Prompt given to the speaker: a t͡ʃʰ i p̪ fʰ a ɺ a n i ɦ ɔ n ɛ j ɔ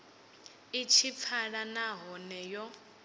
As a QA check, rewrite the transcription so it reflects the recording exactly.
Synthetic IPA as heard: i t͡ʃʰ i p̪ fʰ a ɺ a n a ɦ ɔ n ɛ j ɔ